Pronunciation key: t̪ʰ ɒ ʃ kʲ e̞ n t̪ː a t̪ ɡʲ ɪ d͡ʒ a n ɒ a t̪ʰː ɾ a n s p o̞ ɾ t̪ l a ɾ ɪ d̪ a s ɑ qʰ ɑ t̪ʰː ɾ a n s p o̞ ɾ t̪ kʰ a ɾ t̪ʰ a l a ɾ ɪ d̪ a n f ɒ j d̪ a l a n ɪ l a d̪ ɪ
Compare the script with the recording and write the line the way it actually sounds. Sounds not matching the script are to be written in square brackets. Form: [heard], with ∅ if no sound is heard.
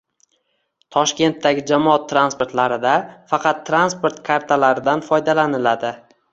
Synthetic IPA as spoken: t̪ʰ ɒ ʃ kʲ e̞ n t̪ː a [∅] ɡʲ ɪ d͡ʒ a [m] ɒ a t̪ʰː ɾ a n s p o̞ ɾ t̪ l a ɾ ɪ d̪ a [f] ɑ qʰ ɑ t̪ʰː ɾ a n s p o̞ ɾ t̪ kʰ a ɾ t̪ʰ a l a ɾ ɪ d̪ a n f ɒ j d̪ a l a n ɪ l a d̪ ɪ